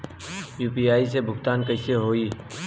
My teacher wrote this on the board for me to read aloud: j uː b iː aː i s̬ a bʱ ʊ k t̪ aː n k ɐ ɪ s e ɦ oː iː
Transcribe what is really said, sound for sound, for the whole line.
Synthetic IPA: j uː p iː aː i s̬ e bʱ ʊ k t̪ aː n k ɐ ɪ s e ɦ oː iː